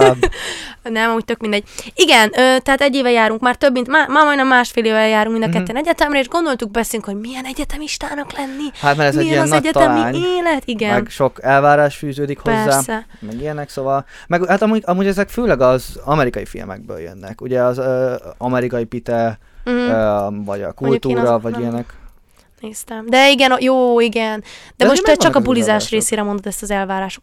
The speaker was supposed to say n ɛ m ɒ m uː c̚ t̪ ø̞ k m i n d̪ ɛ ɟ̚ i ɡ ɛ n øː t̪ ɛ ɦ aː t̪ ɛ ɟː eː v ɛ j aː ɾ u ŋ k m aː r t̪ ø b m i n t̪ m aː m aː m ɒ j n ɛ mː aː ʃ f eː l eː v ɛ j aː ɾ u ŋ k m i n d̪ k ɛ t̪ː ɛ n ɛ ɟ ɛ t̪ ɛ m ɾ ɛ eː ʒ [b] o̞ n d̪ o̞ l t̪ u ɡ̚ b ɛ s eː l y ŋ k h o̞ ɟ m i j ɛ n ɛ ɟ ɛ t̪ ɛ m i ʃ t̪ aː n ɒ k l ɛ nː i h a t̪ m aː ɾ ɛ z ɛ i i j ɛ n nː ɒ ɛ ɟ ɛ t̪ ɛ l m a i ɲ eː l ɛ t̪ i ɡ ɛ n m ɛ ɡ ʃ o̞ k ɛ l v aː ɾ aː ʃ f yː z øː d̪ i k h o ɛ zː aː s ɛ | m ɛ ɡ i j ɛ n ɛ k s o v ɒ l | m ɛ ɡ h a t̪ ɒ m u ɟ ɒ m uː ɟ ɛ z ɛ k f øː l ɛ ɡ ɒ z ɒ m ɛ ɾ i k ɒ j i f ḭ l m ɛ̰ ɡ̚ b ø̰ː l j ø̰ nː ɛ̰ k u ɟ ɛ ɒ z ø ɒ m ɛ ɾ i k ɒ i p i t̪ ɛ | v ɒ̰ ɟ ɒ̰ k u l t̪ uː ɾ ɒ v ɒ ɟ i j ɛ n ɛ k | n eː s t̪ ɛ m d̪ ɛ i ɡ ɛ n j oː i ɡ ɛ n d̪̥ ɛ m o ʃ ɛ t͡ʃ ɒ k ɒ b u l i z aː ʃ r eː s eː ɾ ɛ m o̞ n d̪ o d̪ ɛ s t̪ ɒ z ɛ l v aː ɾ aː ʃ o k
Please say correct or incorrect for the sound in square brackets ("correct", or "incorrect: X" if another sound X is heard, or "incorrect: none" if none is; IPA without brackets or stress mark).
incorrect: ɡ